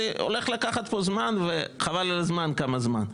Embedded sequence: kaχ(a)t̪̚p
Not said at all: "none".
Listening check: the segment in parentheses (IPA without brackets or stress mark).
a